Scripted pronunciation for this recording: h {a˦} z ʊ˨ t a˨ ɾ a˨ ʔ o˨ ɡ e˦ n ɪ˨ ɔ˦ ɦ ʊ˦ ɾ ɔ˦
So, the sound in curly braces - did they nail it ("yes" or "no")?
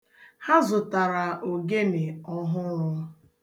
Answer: yes